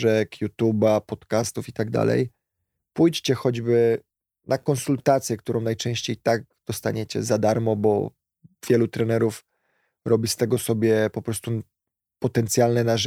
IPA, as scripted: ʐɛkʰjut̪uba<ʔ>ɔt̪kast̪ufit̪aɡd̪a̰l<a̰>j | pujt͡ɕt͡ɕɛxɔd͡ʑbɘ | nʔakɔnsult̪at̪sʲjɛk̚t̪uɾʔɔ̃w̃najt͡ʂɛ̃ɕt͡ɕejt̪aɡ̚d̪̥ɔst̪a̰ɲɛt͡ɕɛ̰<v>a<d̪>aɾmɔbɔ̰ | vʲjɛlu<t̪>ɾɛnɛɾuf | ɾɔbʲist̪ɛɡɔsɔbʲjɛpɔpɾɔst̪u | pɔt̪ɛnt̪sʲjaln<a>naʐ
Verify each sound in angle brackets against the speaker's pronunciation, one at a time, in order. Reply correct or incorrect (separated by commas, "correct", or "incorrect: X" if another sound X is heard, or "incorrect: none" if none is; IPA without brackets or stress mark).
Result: incorrect: p, incorrect: ɛ̰, incorrect: z, correct, correct, incorrect: ɛ